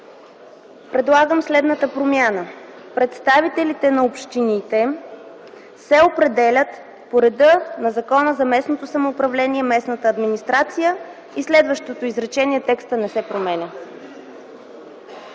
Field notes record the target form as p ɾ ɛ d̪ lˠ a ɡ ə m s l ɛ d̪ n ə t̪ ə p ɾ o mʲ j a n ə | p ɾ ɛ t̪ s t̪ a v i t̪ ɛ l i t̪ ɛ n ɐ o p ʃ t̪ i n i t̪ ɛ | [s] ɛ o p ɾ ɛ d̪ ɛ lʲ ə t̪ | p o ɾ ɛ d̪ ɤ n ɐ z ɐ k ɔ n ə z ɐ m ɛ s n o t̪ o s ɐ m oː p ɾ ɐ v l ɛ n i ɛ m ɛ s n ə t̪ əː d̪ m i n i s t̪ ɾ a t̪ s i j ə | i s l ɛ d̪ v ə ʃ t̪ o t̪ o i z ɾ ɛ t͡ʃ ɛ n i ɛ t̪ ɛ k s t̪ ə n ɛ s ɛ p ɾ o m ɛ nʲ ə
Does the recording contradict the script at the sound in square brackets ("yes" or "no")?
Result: no